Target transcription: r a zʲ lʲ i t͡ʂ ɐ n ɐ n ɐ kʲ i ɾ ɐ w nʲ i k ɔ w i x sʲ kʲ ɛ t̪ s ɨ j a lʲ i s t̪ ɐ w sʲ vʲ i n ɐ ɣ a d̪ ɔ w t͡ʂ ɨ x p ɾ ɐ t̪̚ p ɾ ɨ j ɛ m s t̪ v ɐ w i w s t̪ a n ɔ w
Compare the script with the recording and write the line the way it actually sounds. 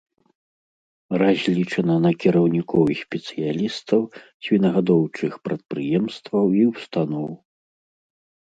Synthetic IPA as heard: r a zʲ lʲ i t͡ʂ ɐ n ɐ n ɐ kʲ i ɾ ɐ w nʲ i k ɔ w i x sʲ pʲ ɛ t̪ s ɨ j a lʲ i s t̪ ɐ w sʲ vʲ i n ɐ ɣ a d̪ ɔ w t͡ʂ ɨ x p ɾ ɐ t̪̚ p ɾ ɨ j ɛ m s t̪ v ɐ w i w s t̪ a n ɔ w